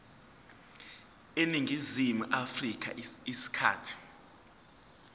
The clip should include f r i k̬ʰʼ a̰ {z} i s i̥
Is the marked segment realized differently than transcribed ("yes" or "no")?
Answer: yes